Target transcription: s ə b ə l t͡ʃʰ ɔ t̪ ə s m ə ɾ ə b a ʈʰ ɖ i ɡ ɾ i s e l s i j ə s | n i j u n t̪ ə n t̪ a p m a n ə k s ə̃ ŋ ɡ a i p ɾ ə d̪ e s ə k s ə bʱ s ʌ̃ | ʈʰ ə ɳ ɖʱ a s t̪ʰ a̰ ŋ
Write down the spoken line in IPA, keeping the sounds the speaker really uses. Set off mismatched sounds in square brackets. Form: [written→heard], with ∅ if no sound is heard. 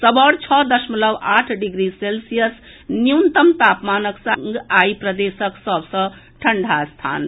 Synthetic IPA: s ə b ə [l→ɽ] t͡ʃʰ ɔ [t̪→d̪] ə s m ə [ɾ→l] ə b a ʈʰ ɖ i ɡ ɾ i s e l s i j ə s | n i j u n t̪ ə [n→m] t̪ a p m a n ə k s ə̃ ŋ ɡ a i p ɾ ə d̪ e s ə k s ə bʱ s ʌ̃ | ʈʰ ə ɳ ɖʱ a s t̪ʰ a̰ [ŋ→n]